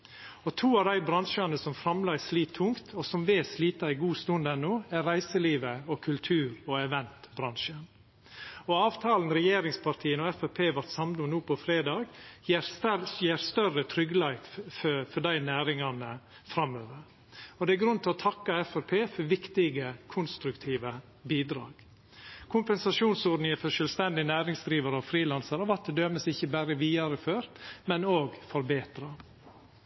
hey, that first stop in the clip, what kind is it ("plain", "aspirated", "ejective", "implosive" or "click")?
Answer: aspirated